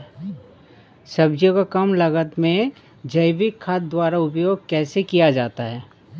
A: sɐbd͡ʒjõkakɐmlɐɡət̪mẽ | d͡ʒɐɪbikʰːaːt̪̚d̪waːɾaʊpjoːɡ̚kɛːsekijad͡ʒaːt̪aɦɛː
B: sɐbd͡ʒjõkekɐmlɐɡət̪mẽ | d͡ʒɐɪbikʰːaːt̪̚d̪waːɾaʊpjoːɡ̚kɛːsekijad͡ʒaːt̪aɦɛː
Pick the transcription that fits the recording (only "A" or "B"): A